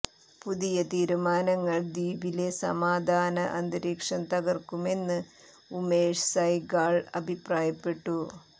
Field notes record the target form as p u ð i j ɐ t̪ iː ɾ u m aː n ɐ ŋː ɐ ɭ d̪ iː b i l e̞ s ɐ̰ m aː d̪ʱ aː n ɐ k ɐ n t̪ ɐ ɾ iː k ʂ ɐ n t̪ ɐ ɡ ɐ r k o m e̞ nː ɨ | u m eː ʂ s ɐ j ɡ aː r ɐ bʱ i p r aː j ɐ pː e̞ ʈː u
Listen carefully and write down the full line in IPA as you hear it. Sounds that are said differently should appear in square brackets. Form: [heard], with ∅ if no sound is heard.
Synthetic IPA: p u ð i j ɐ t̪ iː ɾ u m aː n ɐ ŋː ɐ ɭ d̪ iː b i l e̞ s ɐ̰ m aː d̪ʱ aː n ɐ [ʔ] ɐ n [d̪] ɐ ɾ iː k ʂ ɐ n t̪ ɐ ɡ ɐ r k [u] m e̞ nː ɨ | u m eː ʂ s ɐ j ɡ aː [ɭ] ɐ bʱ i p r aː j ɐ pː e̞ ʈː u